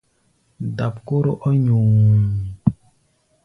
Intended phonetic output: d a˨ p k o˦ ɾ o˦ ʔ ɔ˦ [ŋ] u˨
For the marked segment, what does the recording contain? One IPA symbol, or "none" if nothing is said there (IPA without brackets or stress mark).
ɲ